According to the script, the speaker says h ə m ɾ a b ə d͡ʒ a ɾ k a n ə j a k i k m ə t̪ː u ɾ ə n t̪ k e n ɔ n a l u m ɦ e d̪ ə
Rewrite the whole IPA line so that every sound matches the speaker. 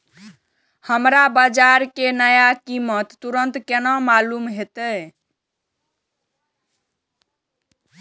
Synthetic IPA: h ə m ɾ a b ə d͡ʒ a ɾ k e n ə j a k i m ə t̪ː u ɾ ə n t̪ k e n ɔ m a l u m ɦ e t̪ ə